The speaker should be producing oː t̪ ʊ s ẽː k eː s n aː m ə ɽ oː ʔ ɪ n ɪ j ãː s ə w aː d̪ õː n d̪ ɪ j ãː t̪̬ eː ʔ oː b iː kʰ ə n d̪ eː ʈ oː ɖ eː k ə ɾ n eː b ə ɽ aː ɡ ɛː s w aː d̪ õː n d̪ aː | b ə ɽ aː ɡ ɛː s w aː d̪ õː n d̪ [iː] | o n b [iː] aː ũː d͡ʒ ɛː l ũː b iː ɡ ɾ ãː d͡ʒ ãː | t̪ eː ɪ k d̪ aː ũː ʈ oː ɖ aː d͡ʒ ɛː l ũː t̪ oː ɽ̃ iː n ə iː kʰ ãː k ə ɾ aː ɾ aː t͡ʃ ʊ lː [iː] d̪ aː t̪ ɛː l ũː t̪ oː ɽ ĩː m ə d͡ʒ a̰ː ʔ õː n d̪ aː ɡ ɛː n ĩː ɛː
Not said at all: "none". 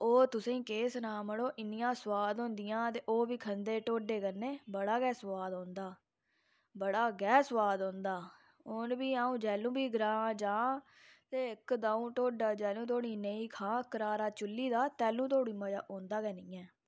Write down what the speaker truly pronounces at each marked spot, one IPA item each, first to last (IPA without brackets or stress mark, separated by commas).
aː, iː, iː